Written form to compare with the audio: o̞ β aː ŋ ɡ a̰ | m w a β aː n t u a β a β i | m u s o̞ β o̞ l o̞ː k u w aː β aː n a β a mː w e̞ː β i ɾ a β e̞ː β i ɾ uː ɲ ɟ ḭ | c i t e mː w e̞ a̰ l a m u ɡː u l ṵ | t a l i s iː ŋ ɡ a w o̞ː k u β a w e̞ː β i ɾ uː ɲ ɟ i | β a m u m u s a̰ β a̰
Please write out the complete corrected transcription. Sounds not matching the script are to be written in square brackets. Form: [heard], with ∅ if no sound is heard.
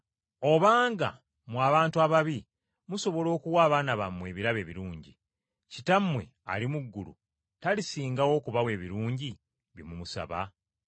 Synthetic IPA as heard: o̞ β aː ŋ ɡ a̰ | m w a β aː n t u a β a β i | m u s o̞ β o̞ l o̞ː k u w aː β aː n a β a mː w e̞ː β i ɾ a β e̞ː β i ɾ uː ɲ ɟ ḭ | c i t [a] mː w e̞ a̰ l [i] m u ɡː u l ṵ | t a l i s iː ŋ ɡ a w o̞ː k u β a w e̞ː β i ɾ uː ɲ ɟ i | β [i] m u m u s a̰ β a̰

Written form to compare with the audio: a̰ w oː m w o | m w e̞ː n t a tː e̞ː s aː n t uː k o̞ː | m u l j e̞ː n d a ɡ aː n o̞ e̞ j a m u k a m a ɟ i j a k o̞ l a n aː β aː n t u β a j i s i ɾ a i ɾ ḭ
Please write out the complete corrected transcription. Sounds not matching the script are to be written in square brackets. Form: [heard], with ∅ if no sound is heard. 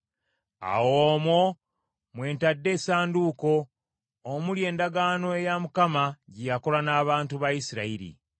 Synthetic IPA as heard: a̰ w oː m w o | m w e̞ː n t a [dː] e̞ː s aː n [d] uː k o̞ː | m u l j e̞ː n d a ɡ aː n o̞ e̞ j a m u k a m a ɟ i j a k o̞ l a n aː β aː n t u β a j i s i ɾ a i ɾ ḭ

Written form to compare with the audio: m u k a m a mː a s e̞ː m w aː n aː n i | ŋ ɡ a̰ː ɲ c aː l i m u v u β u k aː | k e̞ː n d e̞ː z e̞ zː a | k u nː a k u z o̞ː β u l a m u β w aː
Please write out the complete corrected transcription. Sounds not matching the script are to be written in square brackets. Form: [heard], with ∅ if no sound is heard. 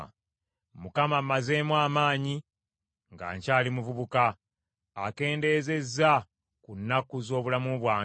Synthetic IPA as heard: m u k a m a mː a [z] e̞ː m w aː [m] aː [ɲ] i | ŋ ɡ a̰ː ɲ c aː l i m u v u β u k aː | k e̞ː n d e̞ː z e̞ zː a | k u nː a k u z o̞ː β u l a m u β w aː

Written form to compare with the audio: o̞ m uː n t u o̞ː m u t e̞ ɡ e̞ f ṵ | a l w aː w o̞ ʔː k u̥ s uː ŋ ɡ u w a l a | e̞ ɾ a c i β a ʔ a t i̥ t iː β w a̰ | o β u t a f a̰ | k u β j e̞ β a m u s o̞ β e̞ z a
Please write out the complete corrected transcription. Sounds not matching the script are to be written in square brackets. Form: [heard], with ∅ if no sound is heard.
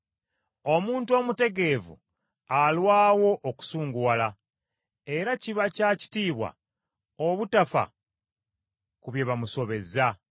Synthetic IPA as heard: o̞ m uː n t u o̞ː m u t e̞ ɡ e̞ [v] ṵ | a l w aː w o̞ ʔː k u̥ s uː ŋ ɡ u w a l a | e̞ ɾ a c i β a [c] a [c] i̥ t iː β w a̰ | o β u t a f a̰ | k u β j e̞ β a m u s o̞ β e̞ z a

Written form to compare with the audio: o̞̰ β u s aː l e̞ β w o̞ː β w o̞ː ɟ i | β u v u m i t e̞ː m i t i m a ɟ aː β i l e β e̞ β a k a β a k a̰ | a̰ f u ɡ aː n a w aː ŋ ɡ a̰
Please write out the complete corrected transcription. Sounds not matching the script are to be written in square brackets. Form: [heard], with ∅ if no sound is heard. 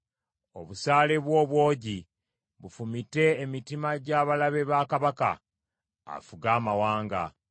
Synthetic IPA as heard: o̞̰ β u s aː l e̞ β w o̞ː β w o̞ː ɟ i | β u [f] u m i t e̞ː m i t i m a ɟ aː β [a] l [a] β e̞ β a k a β a k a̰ | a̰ f u ɡ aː [m] a w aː ŋ ɡ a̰

